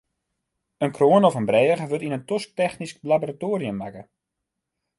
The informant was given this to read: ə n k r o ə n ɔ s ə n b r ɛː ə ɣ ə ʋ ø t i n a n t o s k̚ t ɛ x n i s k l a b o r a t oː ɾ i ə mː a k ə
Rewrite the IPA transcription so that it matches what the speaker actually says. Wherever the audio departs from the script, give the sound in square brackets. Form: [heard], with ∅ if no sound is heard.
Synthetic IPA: ə n k r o ə n ɔ [f] ə n b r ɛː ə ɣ ə ʋ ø t i n [ə] n t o s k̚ t ɛ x n i s k l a b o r a t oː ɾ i ə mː a k ə